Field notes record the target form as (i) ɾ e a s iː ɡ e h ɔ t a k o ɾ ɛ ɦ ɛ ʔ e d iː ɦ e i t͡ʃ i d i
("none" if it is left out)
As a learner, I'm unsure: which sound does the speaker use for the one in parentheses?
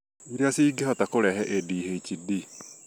i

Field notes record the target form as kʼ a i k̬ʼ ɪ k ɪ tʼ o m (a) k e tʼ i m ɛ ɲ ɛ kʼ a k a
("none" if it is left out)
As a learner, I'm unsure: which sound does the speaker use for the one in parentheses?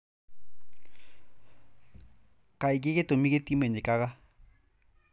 i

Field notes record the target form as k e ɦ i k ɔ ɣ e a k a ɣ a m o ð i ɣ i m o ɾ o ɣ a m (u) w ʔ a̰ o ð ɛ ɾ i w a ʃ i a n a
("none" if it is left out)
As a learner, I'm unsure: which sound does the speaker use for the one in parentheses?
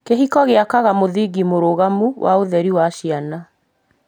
u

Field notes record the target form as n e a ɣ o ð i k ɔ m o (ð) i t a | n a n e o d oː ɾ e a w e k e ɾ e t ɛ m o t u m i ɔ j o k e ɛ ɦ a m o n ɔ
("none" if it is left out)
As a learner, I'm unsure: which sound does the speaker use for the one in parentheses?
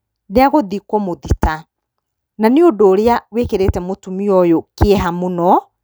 ð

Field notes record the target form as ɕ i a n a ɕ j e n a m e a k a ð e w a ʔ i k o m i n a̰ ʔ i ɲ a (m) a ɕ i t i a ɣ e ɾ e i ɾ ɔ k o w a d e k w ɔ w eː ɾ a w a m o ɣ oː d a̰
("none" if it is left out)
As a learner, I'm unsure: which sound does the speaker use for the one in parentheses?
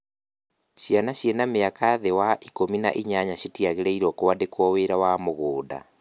ɲ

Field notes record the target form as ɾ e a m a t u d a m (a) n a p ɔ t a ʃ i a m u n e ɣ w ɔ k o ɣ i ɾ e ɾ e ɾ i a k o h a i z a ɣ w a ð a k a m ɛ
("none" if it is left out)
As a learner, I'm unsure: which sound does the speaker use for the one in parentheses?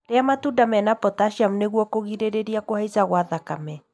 ɛ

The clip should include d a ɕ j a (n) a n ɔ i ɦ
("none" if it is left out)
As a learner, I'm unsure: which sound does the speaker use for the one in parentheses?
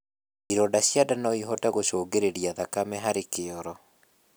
d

